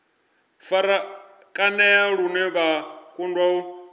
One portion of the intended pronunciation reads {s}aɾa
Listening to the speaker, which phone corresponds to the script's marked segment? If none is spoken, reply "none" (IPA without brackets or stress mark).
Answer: f